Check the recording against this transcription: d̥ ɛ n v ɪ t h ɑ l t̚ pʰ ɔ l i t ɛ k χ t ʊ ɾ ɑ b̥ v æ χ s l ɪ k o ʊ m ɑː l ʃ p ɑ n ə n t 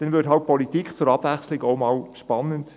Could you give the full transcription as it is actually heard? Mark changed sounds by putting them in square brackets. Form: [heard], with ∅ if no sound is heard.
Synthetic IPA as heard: d̥ ɛ n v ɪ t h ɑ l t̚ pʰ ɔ l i t [i] k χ [t͡s] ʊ ɾ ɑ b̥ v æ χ s l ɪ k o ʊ m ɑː l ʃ p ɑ n ə n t